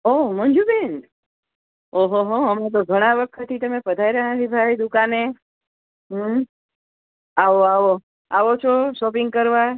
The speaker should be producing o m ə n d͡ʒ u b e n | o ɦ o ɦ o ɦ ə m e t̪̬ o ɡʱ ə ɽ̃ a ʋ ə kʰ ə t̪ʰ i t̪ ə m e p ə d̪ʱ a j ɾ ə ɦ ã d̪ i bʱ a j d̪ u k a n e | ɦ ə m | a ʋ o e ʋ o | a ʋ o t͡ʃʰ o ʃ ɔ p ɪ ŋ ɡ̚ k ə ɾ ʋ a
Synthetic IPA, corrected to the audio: o m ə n d͡ʒ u b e n | o ɦ o ɦ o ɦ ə m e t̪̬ o ɡʱ ə ɽ̃ a ʋ ə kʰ ə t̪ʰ i t̪ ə m e p ə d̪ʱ a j ɾ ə ɦ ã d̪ i bʱ a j d̪ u k a n e | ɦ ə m | a ʋ o a ʋ o | a ʋ o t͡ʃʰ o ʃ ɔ p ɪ ŋ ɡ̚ k ə ɾ ʋ a